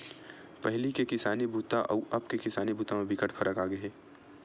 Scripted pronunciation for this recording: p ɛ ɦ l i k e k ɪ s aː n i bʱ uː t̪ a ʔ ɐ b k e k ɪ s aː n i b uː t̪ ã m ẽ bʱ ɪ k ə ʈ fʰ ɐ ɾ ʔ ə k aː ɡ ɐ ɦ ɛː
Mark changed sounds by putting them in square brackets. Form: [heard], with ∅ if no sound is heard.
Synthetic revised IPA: p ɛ ɦ l i k e k ɪ s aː n i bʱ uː t̪ a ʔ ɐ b k e k ɪ s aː n i b uː t̪ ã m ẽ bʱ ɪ k ə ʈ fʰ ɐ ɾ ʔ ə k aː ɡ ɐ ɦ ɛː